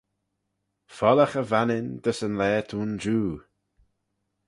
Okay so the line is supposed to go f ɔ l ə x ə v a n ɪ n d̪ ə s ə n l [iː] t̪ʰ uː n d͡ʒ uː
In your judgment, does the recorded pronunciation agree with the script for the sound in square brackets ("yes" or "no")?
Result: no